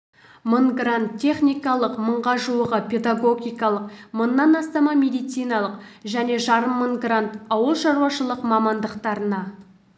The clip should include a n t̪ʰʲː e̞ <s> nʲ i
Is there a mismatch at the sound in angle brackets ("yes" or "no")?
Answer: yes